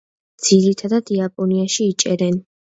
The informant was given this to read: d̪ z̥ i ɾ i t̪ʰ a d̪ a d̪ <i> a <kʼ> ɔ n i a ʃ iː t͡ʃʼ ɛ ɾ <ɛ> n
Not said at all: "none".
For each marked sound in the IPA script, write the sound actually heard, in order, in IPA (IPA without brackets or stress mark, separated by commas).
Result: i, pʼ, ɛ